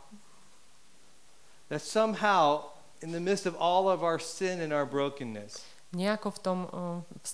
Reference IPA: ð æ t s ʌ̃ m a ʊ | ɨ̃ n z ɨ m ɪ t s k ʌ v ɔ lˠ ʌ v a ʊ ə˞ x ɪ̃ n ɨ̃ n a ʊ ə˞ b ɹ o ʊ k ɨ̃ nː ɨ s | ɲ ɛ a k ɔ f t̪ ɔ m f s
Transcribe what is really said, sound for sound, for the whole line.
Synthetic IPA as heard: ð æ t s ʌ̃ m a ʊ | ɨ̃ n ð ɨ m ɪ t s t ʌ v ɔ lˠ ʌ v a ʊ ə˞ s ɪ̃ n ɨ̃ n a ʊ ə˞ b ɹ o ʊ k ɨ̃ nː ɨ s | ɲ ɛ a k ɔ f t̪ ɔ m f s